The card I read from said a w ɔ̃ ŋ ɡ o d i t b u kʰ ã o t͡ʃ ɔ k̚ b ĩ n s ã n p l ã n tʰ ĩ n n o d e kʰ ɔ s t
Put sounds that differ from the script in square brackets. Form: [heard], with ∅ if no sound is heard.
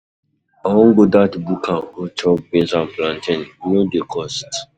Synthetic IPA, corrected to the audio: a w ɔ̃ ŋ ɡ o d [a] t b u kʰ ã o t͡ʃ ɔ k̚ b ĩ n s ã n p l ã n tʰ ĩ n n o d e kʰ ɔ s t